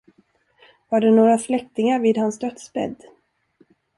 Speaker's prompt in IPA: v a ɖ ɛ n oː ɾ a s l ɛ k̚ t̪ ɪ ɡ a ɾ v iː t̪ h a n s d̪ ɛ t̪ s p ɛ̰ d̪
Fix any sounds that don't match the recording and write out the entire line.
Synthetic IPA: v a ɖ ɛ n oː ɾ a s l ɛ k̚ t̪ ɪ ŋ a ɾ v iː d̪ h a n s d̪ œ t̪ s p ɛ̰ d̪

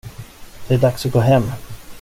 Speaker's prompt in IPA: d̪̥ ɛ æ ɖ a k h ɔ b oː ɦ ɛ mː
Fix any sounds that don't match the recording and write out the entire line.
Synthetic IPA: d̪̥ ɛ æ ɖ a k s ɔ ɡ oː ɦ ɛ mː

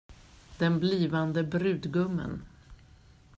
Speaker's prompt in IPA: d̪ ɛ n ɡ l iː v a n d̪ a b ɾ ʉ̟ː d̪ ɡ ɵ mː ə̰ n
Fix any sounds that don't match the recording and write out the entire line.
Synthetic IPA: d̪ ɛ n b l iː v a n d̪ ə b ɾ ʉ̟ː d̪ ɡ ɵ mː ə̰ n

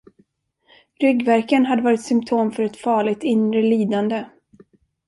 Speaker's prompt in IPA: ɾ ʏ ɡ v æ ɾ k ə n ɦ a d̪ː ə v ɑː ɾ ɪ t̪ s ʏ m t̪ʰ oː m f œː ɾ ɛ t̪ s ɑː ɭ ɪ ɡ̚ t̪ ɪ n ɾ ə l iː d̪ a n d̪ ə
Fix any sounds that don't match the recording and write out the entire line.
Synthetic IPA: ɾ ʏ ɡ v æ ɾ k ə n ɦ a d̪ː ə v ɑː ɾ ɪ t̪ s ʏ m t̪ʰ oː m f œ ɾ ɛ t̪ f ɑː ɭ ɪ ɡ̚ t̪ ɪ n ɾ ə l iː d̪ a n d̪ ə

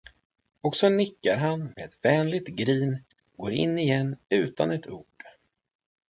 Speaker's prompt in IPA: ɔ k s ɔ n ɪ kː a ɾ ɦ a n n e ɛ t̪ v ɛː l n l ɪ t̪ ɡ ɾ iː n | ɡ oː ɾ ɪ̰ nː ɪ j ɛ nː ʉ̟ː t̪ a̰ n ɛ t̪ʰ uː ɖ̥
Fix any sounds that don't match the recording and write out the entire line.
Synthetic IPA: ɔ k s ɔ n ɪ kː a ɾ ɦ a n m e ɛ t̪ v ɛː n l ɪ t̪ ɡ ɾ iː n | ɡ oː ɾ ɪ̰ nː ɪ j ɛ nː ʉ̟ː t̪ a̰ n ɛ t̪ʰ uː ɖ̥

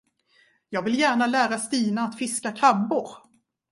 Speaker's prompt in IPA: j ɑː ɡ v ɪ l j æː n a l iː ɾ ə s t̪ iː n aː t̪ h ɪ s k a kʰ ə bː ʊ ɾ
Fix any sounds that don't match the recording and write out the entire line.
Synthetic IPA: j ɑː ɡ v ɪ l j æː ɳ a l æː ɾ a s t̪ iː n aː t̪ f ɪ s k a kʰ a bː ʊ ɾ

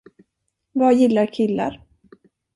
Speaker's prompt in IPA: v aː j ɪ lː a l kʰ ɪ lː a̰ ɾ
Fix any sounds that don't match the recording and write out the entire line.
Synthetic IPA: v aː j ɪ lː a ɾ kʰ ɪ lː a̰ ɾ

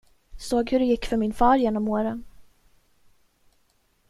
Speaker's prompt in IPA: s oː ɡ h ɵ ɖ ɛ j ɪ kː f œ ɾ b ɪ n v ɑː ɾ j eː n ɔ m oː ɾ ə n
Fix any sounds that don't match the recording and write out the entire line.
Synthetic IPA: s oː ɡ h ɵ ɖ ɛ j ɪ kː f œ ɾ m ɪ n f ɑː ɾ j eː n ɔ m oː ɾ ə n

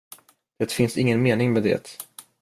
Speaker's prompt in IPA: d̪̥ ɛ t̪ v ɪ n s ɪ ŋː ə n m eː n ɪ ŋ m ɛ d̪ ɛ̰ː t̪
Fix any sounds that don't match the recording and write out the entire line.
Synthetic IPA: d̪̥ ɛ t̪ f ɪ n s ɪ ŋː ə n m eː n ɪ ŋ m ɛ d̪ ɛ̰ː t̪

